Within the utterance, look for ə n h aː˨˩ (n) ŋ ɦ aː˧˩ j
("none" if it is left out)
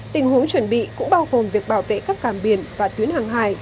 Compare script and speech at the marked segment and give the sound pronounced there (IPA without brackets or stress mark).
none